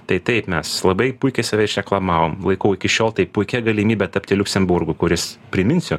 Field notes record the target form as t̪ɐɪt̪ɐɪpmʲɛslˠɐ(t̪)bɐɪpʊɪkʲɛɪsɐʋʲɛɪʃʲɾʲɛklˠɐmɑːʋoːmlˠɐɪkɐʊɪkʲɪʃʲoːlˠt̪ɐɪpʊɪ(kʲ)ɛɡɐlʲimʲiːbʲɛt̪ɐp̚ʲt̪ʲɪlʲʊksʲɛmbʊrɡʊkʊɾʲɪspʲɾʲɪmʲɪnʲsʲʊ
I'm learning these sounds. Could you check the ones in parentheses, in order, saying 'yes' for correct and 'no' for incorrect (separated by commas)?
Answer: no, yes